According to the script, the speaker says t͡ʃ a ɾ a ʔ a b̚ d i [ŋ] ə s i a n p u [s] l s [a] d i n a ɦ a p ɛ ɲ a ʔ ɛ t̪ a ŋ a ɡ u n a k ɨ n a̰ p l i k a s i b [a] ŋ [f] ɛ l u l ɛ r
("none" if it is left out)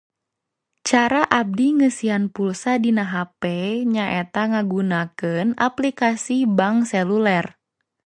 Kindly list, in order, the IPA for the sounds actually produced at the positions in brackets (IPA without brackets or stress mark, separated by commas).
ŋ, none, a, a, s